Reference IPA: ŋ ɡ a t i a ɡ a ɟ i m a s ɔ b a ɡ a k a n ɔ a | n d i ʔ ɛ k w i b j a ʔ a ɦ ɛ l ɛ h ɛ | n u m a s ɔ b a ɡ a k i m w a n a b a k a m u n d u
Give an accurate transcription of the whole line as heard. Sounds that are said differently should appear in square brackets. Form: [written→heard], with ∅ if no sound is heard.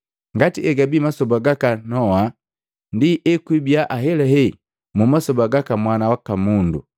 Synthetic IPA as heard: ŋ ɡ a t i [a→ɛ] ɡ a [ɟ→b] i m a s ɔ b a ɡ a k a n ɔ a | n d i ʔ ɛ k w i b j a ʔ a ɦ ɛ l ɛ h ɛ | [n→m] u m a s ɔ b a ɡ a k [i→a] m w a n a [b→w] a k a m u n d u